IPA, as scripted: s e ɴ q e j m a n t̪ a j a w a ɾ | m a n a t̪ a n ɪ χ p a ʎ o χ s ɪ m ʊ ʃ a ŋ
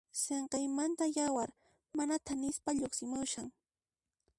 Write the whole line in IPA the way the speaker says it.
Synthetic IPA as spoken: s e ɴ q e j m a n t̪ a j a w a ɾ | m a n a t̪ a n ɪ s p a ʎ o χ s ɪ m ʊ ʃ a ŋ